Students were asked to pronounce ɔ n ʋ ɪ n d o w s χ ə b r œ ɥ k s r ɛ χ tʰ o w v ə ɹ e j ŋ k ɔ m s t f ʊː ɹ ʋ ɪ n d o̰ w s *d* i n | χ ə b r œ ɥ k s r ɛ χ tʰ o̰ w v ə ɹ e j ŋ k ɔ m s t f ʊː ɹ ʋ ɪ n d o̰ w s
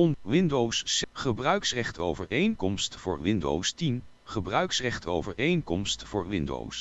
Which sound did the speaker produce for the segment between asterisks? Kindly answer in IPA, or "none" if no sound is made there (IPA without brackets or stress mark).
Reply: t